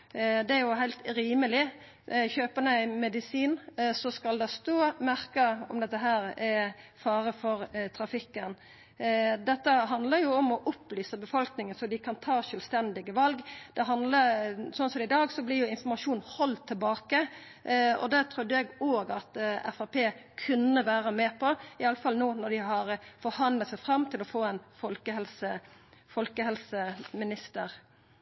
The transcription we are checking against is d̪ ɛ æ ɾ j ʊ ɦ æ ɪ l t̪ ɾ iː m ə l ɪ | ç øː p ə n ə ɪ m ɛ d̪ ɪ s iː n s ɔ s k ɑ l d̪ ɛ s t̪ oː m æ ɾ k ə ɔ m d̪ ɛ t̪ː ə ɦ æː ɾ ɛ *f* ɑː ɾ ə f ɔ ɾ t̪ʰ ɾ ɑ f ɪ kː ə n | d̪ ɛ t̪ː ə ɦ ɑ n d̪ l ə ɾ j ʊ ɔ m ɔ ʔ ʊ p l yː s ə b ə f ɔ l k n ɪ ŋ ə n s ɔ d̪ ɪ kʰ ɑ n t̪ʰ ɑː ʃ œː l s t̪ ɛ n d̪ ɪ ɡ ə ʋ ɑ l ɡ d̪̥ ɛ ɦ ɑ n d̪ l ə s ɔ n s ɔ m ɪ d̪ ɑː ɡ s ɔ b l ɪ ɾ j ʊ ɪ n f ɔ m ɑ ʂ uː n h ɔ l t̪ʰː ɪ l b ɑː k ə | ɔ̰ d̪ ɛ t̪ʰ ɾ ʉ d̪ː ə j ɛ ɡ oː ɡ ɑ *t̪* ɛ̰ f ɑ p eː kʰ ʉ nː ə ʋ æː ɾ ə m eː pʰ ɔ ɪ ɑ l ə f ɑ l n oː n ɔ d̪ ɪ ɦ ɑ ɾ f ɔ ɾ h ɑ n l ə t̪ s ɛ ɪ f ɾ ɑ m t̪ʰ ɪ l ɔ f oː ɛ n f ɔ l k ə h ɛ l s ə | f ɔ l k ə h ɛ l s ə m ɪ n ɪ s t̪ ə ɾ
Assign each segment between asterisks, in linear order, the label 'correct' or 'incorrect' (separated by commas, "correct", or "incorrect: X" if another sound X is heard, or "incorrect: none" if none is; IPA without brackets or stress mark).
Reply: correct, correct